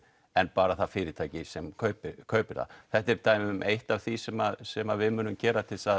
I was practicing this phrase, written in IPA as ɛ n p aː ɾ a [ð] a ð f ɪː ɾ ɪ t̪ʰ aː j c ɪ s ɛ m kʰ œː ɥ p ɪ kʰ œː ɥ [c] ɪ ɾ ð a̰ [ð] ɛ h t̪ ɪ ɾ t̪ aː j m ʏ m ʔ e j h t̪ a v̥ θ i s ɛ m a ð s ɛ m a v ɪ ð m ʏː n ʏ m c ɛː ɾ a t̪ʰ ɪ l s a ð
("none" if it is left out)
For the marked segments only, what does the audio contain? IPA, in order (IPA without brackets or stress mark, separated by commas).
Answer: θ, p, θ